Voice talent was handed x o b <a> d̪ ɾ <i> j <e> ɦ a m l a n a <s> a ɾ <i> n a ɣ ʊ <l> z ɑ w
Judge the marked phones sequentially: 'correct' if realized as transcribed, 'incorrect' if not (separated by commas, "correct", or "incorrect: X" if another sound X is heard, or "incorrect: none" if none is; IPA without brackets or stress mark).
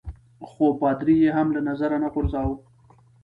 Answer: incorrect: ɑ, correct, correct, incorrect: z, incorrect: a, incorrect: ɾ